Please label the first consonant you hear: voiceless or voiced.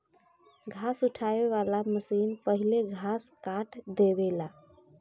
voiced